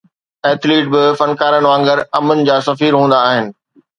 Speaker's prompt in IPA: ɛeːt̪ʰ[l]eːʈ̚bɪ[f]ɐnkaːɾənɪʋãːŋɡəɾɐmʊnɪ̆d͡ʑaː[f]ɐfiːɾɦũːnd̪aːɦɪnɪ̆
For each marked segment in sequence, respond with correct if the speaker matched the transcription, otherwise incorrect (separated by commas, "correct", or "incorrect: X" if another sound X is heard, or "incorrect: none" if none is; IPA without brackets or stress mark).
correct, correct, incorrect: s